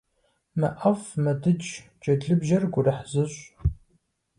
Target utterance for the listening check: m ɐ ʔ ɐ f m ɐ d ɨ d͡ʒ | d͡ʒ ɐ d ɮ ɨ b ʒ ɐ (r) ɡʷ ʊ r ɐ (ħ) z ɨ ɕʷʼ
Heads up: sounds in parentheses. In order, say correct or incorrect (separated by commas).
correct, correct